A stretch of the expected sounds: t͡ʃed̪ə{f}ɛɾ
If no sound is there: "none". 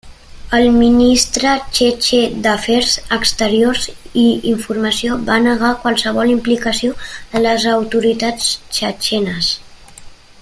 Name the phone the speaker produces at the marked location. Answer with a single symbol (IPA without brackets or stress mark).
f